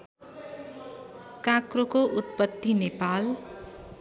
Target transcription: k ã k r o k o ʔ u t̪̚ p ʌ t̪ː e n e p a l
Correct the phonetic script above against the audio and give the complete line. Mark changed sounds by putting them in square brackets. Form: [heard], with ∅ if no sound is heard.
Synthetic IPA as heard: k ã k r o k o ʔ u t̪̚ p ʌ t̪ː [i] n e p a l